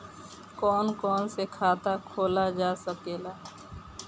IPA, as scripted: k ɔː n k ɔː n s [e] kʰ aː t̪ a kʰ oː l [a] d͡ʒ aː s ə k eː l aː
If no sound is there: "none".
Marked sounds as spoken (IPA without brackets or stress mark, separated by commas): e, a